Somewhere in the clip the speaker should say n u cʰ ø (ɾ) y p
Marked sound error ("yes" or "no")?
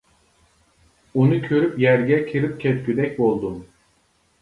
no